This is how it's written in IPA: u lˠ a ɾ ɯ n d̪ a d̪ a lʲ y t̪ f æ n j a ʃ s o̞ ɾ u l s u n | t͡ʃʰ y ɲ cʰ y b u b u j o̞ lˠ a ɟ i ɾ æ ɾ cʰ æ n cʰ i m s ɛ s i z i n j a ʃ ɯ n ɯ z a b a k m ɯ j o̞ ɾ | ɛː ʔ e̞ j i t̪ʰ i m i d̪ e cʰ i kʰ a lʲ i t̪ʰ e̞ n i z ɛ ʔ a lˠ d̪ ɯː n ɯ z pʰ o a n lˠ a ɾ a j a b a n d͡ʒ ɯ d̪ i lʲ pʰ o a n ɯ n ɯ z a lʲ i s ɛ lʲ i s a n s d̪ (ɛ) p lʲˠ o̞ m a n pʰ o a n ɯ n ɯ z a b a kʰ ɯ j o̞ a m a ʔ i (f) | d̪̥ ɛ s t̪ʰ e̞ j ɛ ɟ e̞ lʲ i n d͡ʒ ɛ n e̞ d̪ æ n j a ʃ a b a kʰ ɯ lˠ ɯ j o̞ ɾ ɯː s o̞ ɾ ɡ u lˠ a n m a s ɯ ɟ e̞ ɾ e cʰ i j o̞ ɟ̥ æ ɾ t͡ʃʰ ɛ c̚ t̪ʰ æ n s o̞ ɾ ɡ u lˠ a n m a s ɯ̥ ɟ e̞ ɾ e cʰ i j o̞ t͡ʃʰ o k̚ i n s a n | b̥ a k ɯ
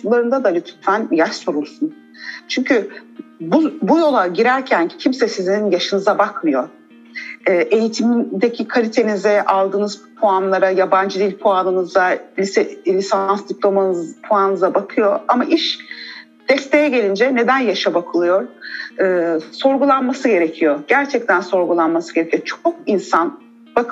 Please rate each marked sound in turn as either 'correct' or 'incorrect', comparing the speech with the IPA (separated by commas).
incorrect, incorrect